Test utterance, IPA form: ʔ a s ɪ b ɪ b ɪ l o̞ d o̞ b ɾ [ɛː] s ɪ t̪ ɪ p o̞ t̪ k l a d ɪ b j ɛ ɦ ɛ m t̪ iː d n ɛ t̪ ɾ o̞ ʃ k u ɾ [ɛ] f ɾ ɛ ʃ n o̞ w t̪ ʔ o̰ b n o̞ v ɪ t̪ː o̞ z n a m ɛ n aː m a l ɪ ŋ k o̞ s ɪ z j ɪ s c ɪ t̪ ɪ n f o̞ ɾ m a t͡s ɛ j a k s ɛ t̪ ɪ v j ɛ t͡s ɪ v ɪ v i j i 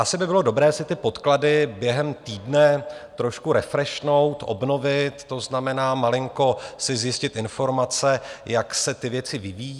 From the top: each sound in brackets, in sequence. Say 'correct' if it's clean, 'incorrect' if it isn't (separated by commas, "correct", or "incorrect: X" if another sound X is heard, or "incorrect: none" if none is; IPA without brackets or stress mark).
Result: correct, correct